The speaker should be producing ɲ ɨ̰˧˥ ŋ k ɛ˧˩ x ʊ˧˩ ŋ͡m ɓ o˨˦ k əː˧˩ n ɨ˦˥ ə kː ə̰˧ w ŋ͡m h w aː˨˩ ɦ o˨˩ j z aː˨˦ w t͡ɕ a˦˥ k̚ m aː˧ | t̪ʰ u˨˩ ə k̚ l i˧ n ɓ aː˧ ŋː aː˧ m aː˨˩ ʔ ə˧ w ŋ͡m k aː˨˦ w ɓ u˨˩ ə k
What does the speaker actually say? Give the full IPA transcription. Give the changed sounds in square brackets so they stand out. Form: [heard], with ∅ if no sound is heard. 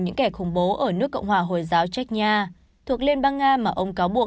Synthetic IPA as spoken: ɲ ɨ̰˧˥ ŋ k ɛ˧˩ x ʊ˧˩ ŋ͡m ɓ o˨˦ [ʔ] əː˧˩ n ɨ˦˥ ə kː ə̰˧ w ŋ͡m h w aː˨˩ ɦ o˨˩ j z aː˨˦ w t͡ɕ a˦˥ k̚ [ɲ] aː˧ | t̪ʰ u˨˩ ə k̚ l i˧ n ɓ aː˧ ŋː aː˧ m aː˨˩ ʔ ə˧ w ŋ͡m k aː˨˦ w ɓ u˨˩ ə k